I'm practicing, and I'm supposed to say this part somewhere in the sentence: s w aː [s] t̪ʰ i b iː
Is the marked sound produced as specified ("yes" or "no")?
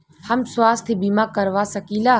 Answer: yes